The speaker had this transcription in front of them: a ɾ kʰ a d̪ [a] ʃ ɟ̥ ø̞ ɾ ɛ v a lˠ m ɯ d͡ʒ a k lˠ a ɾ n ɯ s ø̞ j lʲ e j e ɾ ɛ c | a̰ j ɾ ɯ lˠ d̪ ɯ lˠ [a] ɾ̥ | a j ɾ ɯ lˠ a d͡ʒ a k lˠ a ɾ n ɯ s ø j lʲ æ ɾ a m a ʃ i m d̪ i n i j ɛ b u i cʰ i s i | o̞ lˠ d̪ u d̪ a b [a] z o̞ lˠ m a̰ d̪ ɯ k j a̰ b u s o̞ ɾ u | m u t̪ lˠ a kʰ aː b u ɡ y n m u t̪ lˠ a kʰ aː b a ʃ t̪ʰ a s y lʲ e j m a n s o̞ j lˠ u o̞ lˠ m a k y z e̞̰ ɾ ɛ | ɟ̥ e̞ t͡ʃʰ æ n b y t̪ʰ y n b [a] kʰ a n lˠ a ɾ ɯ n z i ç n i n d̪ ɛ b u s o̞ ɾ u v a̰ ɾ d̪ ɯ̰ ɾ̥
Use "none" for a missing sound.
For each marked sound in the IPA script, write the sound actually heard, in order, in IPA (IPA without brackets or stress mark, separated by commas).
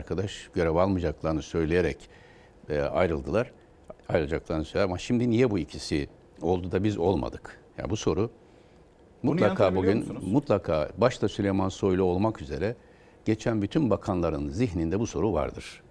a, a, i, a